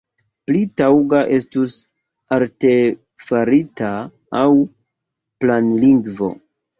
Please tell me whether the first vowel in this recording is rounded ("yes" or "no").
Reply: no